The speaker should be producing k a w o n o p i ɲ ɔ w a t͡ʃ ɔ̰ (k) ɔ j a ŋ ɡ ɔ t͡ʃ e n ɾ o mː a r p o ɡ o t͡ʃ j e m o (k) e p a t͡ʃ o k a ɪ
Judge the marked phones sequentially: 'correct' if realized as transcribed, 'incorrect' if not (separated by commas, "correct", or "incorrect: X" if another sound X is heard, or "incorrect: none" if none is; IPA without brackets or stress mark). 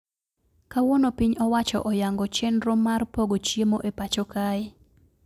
incorrect: ʔ, incorrect: ʔ